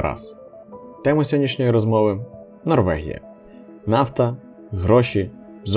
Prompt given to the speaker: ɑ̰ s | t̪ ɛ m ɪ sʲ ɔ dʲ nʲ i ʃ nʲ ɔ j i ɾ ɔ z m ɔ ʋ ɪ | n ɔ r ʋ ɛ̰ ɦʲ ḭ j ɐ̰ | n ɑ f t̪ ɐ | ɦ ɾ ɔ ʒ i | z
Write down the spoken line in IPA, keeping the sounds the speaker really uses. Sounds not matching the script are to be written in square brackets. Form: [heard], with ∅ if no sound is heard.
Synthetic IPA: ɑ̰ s | t̪ ɛ m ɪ sʲ ɔ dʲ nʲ i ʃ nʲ ɔ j i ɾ ɔ z m ɔ ʋ ɪ | n ɔ r ʋ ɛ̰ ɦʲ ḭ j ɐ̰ | n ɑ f t̪ ɐ | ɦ ɾ ɔ [ʃ] i | z